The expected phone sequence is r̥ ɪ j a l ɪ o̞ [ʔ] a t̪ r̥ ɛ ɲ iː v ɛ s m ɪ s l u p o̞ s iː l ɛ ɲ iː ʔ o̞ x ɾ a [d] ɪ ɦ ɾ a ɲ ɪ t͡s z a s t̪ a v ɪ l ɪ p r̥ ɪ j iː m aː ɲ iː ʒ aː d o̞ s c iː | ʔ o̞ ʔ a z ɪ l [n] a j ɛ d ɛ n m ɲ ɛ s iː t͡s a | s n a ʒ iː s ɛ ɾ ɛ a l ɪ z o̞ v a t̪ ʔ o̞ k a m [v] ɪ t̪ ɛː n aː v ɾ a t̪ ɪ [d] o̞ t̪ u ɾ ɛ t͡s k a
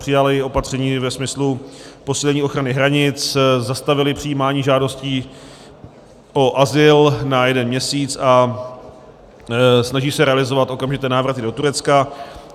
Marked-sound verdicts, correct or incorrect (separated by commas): incorrect, incorrect, correct, incorrect, correct